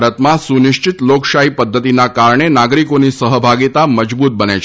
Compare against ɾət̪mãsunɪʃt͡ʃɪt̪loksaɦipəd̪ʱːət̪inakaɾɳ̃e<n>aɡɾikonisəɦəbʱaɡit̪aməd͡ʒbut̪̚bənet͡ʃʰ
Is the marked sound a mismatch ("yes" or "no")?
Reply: no